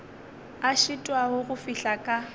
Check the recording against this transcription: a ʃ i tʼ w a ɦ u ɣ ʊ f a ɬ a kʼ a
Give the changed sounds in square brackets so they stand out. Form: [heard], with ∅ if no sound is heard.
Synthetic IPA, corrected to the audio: a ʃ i tʼ w a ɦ [ʊ] ɣ ʊ f [i] ɬ a kʼ a